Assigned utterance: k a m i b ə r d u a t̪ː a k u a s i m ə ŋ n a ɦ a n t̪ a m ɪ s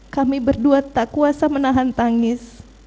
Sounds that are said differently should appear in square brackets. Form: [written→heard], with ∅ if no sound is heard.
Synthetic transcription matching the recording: k a m i b ə r d u a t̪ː a k u a s [i→a] m ə [ŋ→∅] n a ɦ a n t̪ a [m→ŋ] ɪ s